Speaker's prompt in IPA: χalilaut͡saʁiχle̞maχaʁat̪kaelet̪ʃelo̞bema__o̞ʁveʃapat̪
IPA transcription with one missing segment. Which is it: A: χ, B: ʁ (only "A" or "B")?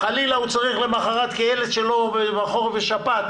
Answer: A